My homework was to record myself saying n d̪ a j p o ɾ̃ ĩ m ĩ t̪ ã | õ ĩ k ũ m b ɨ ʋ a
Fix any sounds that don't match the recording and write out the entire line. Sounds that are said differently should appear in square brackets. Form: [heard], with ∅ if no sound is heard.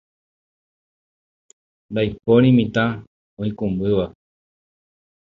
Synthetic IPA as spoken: n d̪ a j p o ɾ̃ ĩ m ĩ t̪ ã | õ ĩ k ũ m b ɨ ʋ a

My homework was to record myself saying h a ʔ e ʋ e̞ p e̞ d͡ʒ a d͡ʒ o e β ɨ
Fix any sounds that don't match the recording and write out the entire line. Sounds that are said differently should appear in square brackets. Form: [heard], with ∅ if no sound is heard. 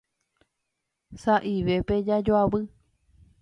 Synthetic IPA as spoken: [s] a ʔ [i] ʋ e̞ p e̞ d͡ʒ a d͡ʒ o [a] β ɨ

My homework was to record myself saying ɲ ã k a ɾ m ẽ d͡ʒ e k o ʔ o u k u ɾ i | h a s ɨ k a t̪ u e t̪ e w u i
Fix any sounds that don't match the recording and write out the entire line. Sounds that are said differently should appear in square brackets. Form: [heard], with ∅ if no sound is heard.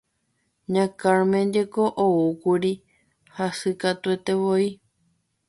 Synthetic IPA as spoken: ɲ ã k a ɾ m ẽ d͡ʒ e k o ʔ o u k u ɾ i | h a s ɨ k a t̪ u e t̪ e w [o] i

